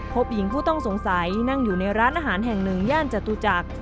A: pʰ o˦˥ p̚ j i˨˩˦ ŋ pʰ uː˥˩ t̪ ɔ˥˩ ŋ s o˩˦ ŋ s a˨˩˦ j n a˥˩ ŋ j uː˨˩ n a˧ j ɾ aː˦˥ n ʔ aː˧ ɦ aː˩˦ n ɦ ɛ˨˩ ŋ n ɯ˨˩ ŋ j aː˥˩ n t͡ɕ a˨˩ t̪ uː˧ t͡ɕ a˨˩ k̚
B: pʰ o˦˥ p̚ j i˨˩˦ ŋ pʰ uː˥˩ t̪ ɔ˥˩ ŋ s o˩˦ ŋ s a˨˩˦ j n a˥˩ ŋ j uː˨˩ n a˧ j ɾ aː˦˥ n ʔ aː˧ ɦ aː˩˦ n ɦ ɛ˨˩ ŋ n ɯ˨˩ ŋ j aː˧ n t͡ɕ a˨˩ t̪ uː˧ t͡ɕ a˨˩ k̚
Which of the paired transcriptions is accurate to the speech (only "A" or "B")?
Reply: A